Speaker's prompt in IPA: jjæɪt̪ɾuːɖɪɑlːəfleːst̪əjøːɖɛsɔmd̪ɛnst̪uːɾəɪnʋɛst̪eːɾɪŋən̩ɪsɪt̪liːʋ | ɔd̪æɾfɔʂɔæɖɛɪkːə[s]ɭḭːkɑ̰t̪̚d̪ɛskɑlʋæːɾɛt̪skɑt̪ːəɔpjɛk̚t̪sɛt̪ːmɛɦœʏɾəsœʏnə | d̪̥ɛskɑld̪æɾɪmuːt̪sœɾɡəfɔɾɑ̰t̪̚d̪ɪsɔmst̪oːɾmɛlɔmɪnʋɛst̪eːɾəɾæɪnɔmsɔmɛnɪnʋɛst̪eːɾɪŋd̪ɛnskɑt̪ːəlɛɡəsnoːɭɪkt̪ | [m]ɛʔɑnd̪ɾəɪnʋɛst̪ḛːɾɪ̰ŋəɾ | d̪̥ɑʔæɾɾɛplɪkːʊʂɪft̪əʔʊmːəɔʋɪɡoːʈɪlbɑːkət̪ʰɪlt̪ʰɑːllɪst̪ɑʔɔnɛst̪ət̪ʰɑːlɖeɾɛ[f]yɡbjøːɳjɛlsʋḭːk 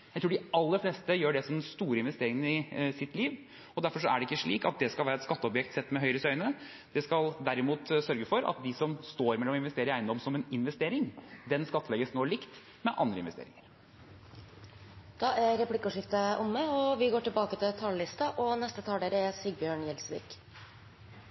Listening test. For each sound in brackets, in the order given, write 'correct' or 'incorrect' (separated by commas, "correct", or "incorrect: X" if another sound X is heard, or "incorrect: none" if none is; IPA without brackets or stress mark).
incorrect: ʂ, correct, incorrect: s